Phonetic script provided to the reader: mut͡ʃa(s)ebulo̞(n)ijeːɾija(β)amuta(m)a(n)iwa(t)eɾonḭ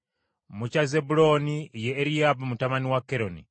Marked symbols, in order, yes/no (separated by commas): no, yes, no, yes, yes, no